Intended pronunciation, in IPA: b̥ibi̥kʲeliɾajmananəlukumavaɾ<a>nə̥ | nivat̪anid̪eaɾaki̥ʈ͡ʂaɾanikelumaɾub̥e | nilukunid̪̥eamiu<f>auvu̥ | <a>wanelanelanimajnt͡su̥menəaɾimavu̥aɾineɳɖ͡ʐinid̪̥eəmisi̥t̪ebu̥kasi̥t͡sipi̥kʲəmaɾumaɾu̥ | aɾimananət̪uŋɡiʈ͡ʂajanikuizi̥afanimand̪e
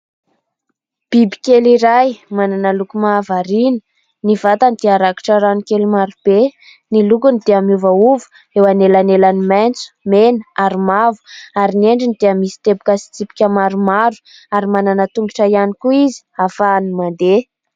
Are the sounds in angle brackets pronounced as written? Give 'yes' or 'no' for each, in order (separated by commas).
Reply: no, no, no